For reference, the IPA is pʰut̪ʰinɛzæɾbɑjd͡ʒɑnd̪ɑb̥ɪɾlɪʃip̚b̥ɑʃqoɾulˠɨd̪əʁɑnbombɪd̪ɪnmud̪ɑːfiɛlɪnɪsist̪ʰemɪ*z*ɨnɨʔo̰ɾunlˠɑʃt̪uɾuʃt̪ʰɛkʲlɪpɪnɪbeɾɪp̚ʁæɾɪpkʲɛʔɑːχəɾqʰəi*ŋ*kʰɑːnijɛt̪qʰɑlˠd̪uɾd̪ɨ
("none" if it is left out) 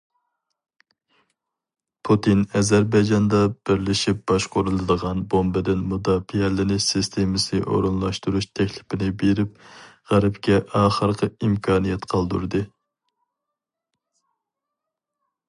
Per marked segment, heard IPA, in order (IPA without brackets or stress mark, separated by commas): s, m